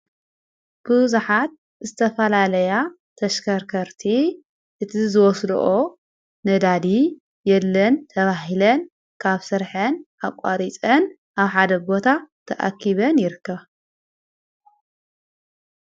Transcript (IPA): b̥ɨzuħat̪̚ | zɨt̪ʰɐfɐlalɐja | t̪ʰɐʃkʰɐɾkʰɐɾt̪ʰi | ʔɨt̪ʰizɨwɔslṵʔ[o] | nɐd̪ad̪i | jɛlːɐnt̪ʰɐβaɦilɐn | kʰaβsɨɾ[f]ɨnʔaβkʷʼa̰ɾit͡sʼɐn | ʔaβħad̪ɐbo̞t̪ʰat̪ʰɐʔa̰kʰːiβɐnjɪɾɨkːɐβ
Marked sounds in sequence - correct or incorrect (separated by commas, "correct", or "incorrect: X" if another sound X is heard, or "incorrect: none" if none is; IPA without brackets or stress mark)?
correct, incorrect: ħ